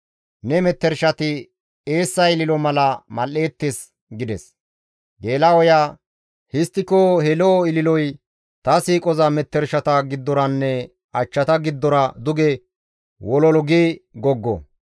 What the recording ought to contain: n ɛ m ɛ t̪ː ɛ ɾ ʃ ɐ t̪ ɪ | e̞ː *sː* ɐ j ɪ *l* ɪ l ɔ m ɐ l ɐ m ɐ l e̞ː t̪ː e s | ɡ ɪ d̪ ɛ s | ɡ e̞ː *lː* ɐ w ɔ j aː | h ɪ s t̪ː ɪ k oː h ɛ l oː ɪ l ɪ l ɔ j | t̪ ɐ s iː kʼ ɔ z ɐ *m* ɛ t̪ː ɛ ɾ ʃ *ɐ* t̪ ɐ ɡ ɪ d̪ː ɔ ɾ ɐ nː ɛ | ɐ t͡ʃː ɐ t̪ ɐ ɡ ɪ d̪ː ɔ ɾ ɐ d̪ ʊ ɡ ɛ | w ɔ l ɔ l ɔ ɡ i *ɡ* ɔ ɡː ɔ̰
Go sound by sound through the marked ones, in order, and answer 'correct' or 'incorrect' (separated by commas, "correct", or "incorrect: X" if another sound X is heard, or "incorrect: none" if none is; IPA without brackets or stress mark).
correct, correct, incorrect: l, correct, correct, correct